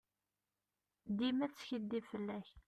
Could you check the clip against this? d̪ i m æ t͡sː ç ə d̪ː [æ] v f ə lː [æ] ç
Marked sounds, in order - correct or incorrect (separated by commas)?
incorrect, correct